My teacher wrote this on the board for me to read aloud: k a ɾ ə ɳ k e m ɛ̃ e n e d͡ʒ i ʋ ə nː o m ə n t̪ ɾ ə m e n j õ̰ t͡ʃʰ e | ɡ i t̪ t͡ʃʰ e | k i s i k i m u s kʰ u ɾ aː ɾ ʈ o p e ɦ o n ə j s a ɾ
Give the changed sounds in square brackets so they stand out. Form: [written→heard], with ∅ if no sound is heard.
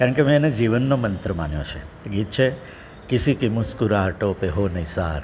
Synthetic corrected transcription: k a ɾ ə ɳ k e m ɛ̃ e n e d͡ʒ i ʋ ə nː o m ə n t̪ ɾ ə m [e→a] n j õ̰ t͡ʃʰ e | ɡ i t̪ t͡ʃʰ e | k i s i k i m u s [kʰ→k] u ɾ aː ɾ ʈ o p e ɦ o n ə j s a ɾ

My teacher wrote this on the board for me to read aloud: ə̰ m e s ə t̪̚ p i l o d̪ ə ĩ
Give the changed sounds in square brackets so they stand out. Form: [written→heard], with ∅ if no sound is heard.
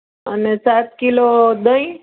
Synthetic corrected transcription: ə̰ [m→n] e s [ə→a] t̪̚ [p→k] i l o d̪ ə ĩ

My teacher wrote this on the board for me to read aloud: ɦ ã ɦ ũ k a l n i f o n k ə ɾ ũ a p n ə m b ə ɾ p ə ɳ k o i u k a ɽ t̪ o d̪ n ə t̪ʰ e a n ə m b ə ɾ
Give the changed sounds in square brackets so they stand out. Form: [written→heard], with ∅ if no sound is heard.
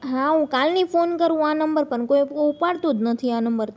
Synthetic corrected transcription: ɦ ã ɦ ũ k a l n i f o n k ə ɾ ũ a [p→∅] n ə m b ə ɾ p ə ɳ k o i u [k→p] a ɽ t̪ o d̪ n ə t̪ʰ [e→i] a n ə m b ə ɾ

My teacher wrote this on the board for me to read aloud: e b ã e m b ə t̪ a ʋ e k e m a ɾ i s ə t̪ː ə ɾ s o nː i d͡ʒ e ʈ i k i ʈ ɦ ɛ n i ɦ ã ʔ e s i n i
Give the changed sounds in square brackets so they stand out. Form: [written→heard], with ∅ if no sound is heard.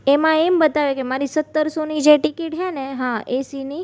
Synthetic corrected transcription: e [b→m] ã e m b ə t̪ a ʋ e k e m a ɾ i s ə t̪ː ə ɾ s o [nː→n] i d͡ʒ e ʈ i k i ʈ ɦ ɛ n [i→e] ɦ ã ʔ e s i n i

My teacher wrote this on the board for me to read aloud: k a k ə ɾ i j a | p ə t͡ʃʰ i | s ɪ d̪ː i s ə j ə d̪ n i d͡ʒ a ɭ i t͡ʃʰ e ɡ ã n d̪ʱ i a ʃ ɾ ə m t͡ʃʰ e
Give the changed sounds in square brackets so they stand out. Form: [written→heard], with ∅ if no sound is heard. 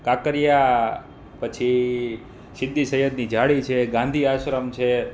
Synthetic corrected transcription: k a k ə ɾ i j a | p ə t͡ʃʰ i | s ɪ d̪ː i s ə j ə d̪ n i d͡ʒ a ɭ i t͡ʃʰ e ɡ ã n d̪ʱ i a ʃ ɾ ə m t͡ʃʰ e

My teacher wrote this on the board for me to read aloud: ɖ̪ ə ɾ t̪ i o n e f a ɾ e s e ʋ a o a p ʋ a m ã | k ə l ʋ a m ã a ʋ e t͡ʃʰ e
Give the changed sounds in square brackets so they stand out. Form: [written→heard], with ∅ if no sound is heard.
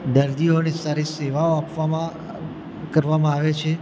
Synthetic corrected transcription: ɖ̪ ə ɾ [t̪→d̪] i o n e [f→s] a ɾ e s e ʋ a o a p ʋ a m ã | k ə [l→ɾ] ʋ a m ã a ʋ e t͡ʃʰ e

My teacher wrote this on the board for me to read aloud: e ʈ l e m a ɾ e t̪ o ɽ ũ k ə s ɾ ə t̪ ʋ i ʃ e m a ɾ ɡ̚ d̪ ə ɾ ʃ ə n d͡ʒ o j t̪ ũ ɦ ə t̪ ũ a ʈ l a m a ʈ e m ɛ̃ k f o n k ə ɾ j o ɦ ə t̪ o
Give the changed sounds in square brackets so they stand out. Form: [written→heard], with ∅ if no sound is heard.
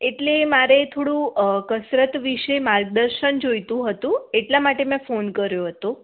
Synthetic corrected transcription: e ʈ l e m a ɾ e [t̪→t̪ʰ] o ɽ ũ k ə s ɾ ə t̪ ʋ i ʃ e m a ɾ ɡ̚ d̪ ə ɾ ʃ ə n d͡ʒ o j t̪ ũ ɦ ə t̪ ũ [a→e] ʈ l a m a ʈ e m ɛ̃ [k→∅] f o n k ə ɾ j o ɦ ə t̪ o

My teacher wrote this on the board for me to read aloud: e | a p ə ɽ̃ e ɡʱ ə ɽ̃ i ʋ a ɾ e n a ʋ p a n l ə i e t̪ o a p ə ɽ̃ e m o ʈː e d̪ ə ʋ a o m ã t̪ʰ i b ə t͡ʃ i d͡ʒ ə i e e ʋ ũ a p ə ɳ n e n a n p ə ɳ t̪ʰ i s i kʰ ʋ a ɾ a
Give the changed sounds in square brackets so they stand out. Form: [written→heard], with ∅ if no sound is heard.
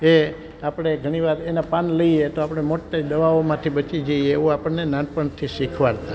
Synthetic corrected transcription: e | a p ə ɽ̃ e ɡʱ ə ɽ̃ i ʋ a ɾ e n a [ʋ→∅] p a n l ə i e t̪ o a p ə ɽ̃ e m o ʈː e d̪ ə ʋ a o m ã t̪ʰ i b ə t͡ʃ i d͡ʒ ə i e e ʋ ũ a p ə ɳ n e n a n p ə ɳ t̪ʰ i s i kʰ ʋ a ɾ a

